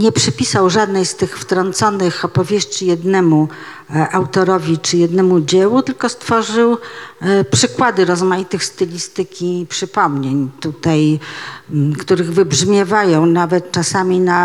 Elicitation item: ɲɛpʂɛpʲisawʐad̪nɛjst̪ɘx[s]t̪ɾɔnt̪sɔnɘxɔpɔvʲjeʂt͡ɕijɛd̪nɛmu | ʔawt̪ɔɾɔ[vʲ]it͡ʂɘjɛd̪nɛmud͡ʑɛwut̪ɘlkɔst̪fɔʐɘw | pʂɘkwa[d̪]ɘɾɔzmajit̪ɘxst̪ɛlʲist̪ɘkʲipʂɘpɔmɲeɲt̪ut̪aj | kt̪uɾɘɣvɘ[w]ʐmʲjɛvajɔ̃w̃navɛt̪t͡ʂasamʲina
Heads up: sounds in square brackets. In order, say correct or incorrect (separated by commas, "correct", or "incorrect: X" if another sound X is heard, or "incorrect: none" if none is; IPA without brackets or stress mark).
incorrect: f, correct, correct, incorrect: b